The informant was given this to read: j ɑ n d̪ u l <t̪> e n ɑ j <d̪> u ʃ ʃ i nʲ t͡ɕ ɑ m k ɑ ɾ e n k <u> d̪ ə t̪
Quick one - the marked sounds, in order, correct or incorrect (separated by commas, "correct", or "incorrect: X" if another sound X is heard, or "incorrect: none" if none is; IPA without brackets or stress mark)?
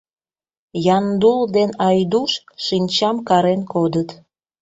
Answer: incorrect: d̪, correct, incorrect: o